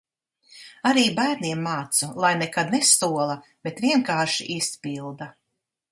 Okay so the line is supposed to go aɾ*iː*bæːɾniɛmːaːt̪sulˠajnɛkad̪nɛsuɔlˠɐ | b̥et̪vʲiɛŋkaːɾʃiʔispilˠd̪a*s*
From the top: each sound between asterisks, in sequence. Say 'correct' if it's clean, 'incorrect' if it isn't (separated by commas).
correct, incorrect